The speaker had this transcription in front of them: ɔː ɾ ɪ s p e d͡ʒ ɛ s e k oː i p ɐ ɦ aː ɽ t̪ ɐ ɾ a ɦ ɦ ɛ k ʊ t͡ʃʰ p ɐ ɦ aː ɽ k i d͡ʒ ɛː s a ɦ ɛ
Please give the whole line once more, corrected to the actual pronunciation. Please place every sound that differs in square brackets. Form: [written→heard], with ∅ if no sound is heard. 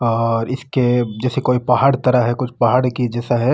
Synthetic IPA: ɔː ɾ ɪ s [p→k] e d͡ʒ [ɛ→ɛː] s e k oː i p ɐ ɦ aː ɽ t̪ ɐ ɾ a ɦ ɦ ɛ k ʊ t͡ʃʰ p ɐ ɦ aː ɽ k i d͡ʒ ɛː s a ɦ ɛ